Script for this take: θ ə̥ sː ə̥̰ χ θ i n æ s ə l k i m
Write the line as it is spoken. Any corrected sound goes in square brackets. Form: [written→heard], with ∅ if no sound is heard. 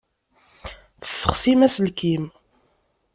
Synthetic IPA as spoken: θ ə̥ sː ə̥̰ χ [θ→s] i [n→m] æ s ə l k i m